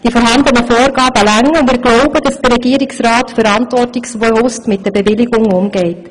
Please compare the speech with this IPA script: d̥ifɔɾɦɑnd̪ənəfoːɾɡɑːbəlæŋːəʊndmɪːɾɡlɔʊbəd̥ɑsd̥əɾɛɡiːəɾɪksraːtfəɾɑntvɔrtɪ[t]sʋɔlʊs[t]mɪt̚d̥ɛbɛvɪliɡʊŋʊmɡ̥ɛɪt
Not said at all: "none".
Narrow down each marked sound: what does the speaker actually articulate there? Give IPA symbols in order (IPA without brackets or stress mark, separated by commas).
k, t